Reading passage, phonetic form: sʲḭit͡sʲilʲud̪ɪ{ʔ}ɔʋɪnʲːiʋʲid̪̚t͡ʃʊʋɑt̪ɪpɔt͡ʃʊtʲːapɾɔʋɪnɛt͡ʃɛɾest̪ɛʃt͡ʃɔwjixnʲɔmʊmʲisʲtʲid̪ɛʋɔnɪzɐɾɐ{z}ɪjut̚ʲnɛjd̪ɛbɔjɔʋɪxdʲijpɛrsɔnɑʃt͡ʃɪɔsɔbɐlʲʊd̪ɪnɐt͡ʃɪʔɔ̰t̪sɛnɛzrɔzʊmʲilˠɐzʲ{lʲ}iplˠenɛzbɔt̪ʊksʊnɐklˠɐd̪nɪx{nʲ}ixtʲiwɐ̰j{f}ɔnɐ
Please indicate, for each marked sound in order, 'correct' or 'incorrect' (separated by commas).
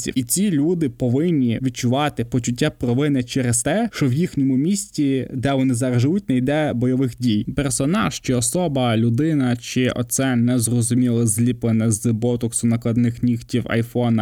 incorrect, incorrect, correct, correct, correct